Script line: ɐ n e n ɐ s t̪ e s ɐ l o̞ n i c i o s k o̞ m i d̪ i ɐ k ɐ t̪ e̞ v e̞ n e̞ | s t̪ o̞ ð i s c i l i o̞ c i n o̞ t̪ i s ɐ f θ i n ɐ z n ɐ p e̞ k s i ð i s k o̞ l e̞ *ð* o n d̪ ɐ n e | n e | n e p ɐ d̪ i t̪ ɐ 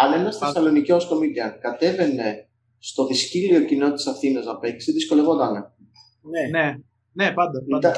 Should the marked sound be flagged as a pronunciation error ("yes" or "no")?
yes